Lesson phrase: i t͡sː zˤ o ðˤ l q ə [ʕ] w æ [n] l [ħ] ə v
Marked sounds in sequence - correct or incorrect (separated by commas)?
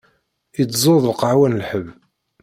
correct, correct, correct